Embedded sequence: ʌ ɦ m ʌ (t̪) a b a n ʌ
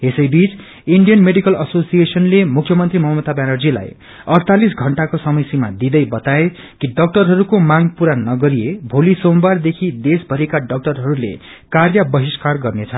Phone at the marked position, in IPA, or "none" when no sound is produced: t̪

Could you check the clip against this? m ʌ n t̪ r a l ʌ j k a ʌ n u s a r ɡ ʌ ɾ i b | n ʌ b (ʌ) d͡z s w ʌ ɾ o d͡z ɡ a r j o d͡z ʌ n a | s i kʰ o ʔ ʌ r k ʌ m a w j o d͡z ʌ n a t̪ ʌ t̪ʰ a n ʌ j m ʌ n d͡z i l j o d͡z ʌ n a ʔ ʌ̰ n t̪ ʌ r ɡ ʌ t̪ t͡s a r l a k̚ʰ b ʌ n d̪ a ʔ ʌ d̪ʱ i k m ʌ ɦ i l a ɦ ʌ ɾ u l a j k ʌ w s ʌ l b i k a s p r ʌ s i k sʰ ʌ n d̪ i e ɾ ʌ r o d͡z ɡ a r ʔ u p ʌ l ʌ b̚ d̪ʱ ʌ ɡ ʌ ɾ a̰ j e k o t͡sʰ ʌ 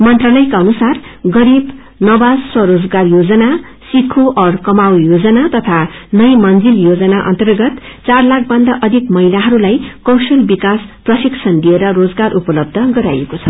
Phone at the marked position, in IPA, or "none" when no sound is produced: a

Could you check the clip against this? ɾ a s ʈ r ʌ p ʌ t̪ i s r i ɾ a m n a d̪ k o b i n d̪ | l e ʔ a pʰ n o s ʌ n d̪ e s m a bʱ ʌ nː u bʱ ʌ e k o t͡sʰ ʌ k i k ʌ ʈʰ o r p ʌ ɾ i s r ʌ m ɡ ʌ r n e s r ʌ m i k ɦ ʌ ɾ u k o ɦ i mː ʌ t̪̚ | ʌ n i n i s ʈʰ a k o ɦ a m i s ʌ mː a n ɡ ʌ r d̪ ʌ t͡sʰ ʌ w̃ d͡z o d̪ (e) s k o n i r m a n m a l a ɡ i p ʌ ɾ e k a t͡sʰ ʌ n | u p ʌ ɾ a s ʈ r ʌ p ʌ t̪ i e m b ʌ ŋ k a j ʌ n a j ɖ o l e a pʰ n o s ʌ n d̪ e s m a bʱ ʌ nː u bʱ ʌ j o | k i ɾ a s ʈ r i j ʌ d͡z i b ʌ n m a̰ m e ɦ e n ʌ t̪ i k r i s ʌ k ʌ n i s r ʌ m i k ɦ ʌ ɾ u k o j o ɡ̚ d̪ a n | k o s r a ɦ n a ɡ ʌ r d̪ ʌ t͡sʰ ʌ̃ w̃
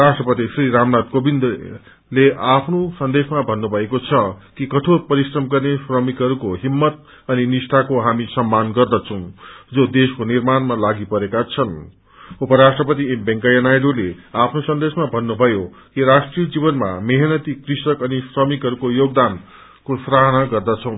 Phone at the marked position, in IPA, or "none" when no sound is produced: e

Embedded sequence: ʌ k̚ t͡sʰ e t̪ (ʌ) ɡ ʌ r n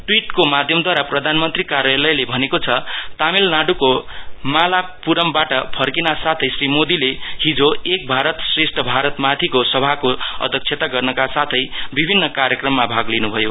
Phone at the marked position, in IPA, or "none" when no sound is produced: a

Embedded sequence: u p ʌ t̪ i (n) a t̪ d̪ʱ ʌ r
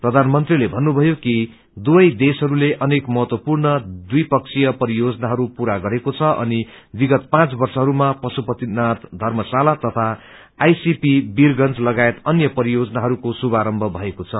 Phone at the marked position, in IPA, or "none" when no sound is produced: n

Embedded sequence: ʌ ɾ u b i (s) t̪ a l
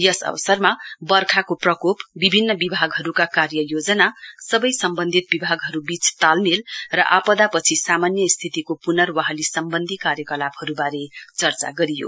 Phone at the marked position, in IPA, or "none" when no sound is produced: t͡s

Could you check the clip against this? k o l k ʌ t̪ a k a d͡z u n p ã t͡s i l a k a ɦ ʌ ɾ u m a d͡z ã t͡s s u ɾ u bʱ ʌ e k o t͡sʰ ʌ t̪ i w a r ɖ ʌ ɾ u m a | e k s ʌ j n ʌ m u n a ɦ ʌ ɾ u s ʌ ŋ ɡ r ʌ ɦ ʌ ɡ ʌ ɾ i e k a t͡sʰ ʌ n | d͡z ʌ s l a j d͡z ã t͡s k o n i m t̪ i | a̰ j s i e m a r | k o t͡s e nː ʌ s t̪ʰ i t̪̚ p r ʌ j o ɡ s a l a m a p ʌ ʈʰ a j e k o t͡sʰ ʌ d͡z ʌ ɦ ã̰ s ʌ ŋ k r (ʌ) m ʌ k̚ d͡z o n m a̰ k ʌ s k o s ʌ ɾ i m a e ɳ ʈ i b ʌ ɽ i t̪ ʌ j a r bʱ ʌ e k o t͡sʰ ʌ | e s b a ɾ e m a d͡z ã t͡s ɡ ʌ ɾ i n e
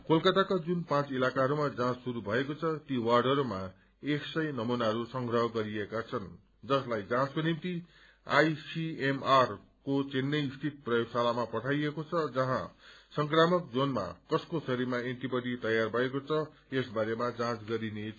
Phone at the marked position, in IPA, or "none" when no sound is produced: a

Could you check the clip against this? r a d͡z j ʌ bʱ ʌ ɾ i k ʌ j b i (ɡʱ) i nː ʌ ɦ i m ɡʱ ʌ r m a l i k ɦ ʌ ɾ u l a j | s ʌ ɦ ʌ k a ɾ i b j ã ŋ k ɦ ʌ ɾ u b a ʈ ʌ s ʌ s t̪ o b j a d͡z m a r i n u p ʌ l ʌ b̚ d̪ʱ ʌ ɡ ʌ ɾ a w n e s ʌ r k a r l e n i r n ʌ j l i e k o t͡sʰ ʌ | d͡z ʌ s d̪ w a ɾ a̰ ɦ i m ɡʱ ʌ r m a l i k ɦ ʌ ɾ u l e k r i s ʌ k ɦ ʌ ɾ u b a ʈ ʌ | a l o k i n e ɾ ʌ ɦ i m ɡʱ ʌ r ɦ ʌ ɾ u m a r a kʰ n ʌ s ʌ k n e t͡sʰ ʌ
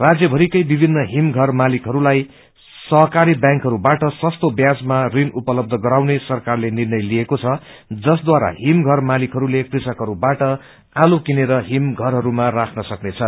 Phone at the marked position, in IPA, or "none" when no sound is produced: bʱ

